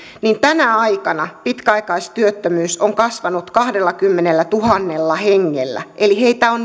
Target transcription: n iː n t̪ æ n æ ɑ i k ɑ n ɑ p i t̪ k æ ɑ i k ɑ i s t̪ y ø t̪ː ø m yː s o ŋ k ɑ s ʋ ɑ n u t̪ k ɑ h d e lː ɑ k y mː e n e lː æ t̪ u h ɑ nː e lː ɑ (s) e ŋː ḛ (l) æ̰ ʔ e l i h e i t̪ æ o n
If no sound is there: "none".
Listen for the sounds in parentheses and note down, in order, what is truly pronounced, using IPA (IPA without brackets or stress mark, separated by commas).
h, lː